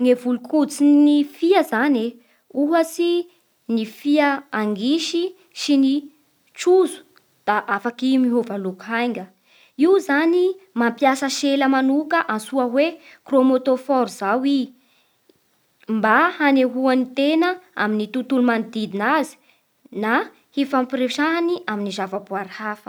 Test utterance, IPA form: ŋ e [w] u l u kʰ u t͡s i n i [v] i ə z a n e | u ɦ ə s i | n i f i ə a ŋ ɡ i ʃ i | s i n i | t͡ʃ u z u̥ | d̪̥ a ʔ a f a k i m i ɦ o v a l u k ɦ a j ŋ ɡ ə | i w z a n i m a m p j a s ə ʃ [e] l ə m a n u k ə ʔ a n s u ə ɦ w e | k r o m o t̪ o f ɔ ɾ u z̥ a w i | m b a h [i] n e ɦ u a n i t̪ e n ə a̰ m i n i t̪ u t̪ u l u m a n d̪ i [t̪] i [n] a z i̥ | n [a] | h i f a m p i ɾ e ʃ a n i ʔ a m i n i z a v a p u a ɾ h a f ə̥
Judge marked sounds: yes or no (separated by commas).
no, no, yes, no, no, yes, yes